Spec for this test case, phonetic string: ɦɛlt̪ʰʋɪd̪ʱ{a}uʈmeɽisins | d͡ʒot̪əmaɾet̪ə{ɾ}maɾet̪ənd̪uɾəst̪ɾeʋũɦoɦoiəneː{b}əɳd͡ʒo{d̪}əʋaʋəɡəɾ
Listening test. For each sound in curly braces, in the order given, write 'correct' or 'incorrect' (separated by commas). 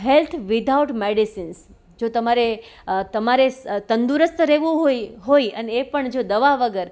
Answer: correct, incorrect, incorrect, correct